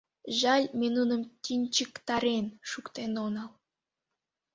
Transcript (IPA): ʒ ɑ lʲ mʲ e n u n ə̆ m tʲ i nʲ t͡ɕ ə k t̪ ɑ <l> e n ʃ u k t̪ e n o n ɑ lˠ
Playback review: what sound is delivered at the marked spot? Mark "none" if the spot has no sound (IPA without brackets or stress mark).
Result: ɾ